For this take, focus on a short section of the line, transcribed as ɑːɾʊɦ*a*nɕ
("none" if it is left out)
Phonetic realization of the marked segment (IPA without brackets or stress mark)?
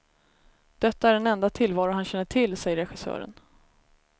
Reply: a